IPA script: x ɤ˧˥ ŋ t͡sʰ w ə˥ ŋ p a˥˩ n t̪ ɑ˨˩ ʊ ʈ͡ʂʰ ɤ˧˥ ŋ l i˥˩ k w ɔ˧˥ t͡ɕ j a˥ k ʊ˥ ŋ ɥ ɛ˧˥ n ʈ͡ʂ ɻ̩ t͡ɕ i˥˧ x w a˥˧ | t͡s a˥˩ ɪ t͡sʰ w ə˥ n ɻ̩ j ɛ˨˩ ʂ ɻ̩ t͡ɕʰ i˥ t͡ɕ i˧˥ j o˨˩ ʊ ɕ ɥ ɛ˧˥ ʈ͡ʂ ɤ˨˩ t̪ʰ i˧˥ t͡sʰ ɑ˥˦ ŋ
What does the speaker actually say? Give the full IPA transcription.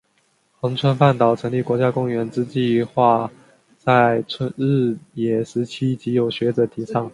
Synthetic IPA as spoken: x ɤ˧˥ ŋ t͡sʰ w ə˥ n p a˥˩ n t̪ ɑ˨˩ ʊ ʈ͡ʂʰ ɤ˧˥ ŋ l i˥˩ k w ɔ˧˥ t͡ɕ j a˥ k ʊ˥ ŋ ɥ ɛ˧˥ n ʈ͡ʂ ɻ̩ t͡ɕ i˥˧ x w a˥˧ | t͡s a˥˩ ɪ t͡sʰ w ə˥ n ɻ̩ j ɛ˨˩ ʂ ɻ̩ t͡ɕʰ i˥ t͡ɕ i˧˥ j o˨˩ ʊ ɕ ɥ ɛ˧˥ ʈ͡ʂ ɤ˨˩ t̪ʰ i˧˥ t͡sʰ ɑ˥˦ ŋ

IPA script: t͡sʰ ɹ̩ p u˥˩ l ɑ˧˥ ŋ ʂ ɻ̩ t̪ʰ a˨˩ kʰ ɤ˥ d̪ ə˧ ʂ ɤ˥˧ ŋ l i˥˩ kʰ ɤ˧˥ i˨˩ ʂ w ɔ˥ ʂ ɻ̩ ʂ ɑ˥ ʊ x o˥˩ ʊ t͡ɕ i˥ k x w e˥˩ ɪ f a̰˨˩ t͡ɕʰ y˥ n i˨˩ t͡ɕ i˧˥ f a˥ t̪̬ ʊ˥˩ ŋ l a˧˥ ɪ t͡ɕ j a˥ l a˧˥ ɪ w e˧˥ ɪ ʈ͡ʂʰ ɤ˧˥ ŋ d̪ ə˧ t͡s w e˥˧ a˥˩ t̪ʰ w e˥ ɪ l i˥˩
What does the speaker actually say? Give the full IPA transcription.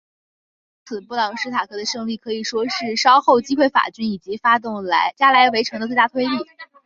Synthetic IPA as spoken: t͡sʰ ɹ̩ p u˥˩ l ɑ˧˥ ŋ ʂ ɻ̩ t̪ʰ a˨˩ kʰ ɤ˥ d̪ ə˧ ʂ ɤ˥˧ ŋ l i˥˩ kʰ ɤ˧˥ i˨˩ ʂ w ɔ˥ ʂ ɻ̩ ʂ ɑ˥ ʊ x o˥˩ ʊ t͡ɕ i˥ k x w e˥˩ ɪ f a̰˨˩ t͡ɕ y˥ n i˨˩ t͡ɕ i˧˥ f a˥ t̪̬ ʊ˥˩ ŋ l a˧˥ ɪ t͡ɕ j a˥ l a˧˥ ɪ w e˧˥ ɪ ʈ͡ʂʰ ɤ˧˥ ŋ d̪ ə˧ t͡s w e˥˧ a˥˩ t̪ʰ w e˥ ɪ l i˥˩

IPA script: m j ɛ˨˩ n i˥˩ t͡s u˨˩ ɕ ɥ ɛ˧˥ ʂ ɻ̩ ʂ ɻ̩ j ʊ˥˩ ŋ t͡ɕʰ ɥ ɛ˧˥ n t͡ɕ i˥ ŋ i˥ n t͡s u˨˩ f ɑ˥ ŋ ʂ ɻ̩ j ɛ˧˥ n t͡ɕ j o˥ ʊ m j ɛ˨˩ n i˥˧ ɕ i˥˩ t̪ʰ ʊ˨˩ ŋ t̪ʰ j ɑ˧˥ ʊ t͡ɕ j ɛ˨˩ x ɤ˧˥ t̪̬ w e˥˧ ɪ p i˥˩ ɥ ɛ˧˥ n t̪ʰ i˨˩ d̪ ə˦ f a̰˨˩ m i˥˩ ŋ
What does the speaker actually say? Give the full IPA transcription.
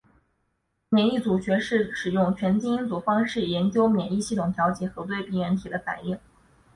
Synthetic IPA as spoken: m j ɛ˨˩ n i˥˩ t͡s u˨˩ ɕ ɥ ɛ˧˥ ʂ ɻ̩ ʂ ɻ̩ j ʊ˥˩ ŋ t͡ɕʰ ɥ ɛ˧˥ n t͡ɕ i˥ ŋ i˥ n t͡s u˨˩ f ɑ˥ ŋ ʂ ɻ̩ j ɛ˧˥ n t͡ɕ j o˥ ʊ m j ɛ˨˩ n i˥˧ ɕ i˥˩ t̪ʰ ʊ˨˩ ŋ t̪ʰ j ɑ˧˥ ʊ t͡ɕ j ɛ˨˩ x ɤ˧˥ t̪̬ w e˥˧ ɪ p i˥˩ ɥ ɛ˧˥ n t̪ʰ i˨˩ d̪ ə˦ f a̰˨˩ n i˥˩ ŋ

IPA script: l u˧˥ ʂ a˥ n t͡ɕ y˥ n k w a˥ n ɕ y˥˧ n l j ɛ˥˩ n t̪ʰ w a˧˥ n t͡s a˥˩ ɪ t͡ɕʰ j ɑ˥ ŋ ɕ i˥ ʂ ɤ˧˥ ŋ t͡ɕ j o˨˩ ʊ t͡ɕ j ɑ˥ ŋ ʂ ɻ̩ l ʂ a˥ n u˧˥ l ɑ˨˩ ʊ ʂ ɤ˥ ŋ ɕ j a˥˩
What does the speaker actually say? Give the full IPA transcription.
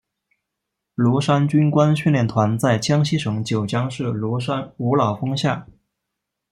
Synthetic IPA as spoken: l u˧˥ ʂ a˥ n t͡ɕ y˥ n k w a˥ n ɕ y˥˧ n l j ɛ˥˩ n t̪ʰ w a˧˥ n t͡s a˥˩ ɪ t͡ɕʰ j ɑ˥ ŋ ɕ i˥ ʂ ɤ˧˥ ŋ t͡ɕ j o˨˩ ʊ t͡ɕ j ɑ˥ ŋ ʂ ɻ̩ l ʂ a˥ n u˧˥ l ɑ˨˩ ʊ f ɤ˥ ŋ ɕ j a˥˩

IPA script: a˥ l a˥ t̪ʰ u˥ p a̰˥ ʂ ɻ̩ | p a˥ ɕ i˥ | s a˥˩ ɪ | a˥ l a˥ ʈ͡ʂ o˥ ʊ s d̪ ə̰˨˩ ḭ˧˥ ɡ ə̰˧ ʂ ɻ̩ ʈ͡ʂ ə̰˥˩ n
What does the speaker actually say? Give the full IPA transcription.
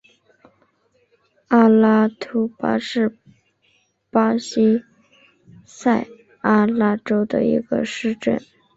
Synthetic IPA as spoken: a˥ l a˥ t̪ʰ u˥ p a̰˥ ʂ ɻ̩ | p a˥ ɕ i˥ | s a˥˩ ɪ | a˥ l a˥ ʈ͡ʂ o˥ ʊ d̪ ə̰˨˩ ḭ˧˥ ɡ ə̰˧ ʂ ɻ̩ ʈ͡ʂ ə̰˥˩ n

